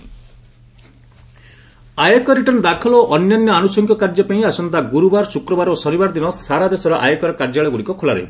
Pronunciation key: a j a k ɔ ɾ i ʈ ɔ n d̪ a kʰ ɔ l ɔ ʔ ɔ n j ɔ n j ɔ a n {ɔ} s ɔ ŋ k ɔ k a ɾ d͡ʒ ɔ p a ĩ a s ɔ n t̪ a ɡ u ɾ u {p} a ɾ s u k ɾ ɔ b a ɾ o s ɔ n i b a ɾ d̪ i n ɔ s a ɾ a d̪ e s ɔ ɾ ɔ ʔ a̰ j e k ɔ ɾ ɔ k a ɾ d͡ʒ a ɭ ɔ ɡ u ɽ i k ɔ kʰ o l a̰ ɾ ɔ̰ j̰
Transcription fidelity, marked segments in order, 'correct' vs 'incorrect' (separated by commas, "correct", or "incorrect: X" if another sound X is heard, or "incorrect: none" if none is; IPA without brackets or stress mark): incorrect: u, incorrect: b